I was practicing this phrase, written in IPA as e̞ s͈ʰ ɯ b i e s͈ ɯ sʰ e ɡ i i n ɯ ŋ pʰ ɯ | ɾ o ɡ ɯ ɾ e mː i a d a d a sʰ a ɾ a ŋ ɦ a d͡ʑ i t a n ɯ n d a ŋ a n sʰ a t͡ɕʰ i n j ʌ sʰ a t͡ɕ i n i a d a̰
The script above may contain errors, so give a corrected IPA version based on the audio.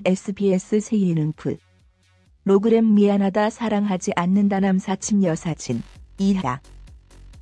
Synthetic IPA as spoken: e̞ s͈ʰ ɯ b i e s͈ ɯ sʰ e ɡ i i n ɯ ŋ pʰ ɯ | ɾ o ɡ ɯ ɾ e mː i a n a d a sʰ a ɾ a ŋ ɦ a d͡ʑ i ʔ a nː ɯ n d a n a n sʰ a t͡ɕʰ i m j ʌ sʰ a t͡ɕʰ i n i a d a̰

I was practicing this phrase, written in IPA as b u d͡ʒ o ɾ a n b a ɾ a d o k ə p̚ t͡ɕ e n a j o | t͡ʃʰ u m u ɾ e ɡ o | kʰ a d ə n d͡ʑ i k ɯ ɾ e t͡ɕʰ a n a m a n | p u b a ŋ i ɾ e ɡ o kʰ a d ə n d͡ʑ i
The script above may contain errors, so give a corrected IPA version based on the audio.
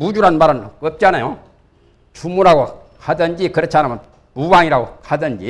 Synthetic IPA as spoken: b u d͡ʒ u ɾ a n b a ɾ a n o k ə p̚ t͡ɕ a n a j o | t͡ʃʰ u m u ɾ a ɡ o | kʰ a d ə n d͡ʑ i k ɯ ɾ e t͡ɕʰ a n a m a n | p u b a ŋ i ɾ a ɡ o kʰ a d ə n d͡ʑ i

